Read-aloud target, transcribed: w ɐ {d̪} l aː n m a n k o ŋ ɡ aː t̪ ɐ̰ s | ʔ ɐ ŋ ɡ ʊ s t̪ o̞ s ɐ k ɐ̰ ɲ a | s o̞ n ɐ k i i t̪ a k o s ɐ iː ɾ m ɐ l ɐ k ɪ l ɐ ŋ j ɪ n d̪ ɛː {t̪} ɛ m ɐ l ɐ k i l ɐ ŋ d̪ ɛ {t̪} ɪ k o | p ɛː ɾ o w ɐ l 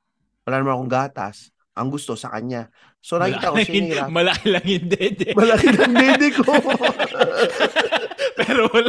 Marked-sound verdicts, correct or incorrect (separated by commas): incorrect, incorrect, incorrect